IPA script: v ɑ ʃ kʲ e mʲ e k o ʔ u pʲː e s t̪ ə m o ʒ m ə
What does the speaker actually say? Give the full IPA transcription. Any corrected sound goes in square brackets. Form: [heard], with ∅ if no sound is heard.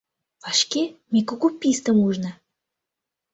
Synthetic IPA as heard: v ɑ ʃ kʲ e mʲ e k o [k] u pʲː [i] s t̪ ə m [u] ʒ [n] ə